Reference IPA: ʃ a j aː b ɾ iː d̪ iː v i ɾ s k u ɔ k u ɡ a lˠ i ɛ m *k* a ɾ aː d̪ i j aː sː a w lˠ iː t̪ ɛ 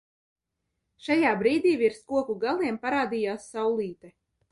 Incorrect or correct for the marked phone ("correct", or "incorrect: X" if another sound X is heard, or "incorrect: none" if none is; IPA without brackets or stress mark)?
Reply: incorrect: p